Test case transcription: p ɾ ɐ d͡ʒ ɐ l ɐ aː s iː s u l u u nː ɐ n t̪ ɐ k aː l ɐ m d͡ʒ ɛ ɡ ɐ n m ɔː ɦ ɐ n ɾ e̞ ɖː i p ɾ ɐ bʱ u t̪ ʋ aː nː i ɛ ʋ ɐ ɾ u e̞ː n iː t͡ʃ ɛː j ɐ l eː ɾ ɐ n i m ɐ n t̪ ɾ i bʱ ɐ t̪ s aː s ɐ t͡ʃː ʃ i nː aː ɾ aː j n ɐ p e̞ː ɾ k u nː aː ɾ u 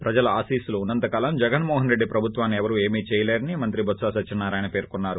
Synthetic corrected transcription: p ɾ ɐ d͡ʒ ɐ l ɐ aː s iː s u l u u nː ɐ n t̪ ɐ k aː l ɐ m d͡ʒ ɛ ɡ ɐ n m ɔː ɦ ɐ n ɾ e̞ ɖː i p ɾ ɐ bʱ u t̪ ʋ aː nː i ɛ ʋ ɐ ɾ u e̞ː m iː t͡ʃ ɛː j ɐ l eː ɾ ɐ n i m ɐ n t̪ ɾ i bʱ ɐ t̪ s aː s ɐ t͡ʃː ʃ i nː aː ɾ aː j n ɐ p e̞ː ɾ k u nː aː ɾ u